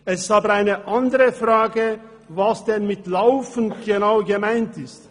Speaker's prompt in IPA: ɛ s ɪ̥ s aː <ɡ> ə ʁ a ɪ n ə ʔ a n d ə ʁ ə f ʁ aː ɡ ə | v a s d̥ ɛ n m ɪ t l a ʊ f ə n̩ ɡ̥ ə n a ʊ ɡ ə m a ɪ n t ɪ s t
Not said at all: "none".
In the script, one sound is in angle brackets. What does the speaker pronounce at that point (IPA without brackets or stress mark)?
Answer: b